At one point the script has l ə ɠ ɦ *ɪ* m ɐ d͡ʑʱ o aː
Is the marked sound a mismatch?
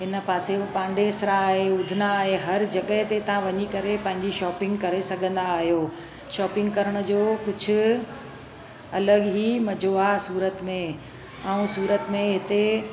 yes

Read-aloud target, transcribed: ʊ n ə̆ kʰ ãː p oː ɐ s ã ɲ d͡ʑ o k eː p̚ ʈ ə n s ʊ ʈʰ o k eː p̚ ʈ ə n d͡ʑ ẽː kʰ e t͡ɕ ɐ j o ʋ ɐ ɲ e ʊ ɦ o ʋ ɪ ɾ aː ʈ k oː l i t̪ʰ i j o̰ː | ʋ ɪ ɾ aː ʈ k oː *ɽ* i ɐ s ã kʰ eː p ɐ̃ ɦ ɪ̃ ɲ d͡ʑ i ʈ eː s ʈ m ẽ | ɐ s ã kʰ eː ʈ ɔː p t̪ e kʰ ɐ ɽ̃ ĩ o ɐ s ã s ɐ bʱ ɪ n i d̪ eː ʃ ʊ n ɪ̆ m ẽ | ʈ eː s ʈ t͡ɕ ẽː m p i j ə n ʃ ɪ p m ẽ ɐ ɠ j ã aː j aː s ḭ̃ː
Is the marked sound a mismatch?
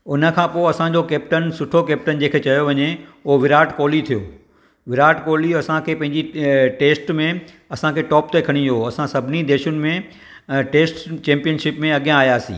yes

